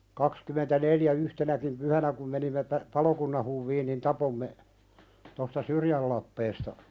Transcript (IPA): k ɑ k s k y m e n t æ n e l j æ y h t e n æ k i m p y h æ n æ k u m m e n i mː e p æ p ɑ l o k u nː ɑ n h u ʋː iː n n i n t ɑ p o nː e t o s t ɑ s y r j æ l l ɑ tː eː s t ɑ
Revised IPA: k ɑ k s k y m e n t æ n e l j æ y h t e n æ k i m p y h æ n æ k u m m e n i mː e p æ p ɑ l o k u nː ɑ n h u ʋː iː n n i n t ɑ p o mː e t o s t ɑ s y r j æ l l ɑ pː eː s t ɑ